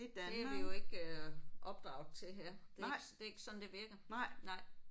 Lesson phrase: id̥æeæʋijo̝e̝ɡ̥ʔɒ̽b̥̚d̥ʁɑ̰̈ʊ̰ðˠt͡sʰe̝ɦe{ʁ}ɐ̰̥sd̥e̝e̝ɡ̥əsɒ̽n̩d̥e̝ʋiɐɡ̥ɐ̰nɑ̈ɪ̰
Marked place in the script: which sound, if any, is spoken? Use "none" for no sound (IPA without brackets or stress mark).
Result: none